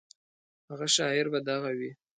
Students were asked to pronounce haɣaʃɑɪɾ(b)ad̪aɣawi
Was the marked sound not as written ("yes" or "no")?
no